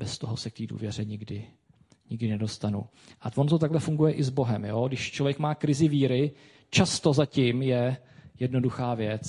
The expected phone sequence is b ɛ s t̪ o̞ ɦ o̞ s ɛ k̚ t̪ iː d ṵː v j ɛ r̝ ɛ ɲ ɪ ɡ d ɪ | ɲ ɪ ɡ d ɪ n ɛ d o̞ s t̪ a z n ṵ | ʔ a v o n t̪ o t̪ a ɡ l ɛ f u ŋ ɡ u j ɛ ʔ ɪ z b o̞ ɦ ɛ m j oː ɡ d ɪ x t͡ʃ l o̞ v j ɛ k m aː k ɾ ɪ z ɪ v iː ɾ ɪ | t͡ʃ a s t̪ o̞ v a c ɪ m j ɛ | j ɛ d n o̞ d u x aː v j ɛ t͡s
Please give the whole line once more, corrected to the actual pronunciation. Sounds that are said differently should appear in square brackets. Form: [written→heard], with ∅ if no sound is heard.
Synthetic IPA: b ɛ s t̪ o̞ ɦ o̞ s ɛ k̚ t̪ iː d ṵː v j ɛ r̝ ɛ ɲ ɪ ɡ d ɪ | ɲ ɪ ɡ d ɪ n ɛ d o̞ s t̪ a [z→∅] n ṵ | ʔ a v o n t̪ o t̪ a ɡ l ɛ f u ŋ ɡ u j ɛ ʔ ɪ z b o̞ ɦ ɛ m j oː ɡ d ɪ [x→ʃ] t͡ʃ l o̞ v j ɛ k m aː k ɾ ɪ z ɪ v iː ɾ ɪ | t͡ʃ a s t̪ o̞ [v→z] a c ɪ m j ɛ | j ɛ d n o̞ d u x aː v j ɛ t͡s